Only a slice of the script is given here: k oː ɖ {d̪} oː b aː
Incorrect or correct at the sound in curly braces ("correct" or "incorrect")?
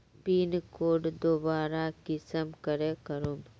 correct